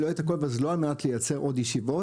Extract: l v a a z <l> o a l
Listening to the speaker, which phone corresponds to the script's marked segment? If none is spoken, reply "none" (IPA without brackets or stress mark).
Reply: l